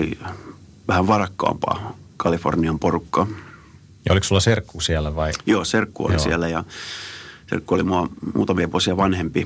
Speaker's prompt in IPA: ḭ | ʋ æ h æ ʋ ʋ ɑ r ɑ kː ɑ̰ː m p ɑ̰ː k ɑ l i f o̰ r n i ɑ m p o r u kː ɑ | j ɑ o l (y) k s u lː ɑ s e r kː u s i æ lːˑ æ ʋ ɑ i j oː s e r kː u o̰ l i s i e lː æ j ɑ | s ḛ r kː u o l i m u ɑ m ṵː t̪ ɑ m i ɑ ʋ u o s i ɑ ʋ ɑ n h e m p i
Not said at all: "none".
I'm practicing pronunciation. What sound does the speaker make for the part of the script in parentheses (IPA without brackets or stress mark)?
i